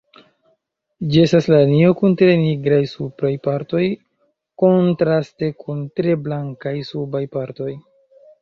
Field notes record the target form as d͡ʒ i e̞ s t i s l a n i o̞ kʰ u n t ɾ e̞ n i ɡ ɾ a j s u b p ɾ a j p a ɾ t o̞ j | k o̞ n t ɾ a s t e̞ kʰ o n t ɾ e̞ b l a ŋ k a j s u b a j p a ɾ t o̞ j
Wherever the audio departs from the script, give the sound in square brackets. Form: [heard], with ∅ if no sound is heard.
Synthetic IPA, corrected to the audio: d͡ʒ i e̞ s t [a] s l a n i o̞ [k] u n t ɾ e̞ n i ɡ ɾ a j s u [∅] p ɾ a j p a ɾ t o̞ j | k o̞ n t ɾ a s t e̞ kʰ [u] n t ɾ e̞ b l a ŋ k a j s u b a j p a ɾ t o̞ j